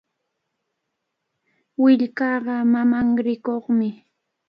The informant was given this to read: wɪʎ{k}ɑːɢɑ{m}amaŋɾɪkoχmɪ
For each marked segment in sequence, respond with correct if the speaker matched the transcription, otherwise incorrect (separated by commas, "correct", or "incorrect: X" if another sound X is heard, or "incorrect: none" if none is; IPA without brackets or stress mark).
correct, correct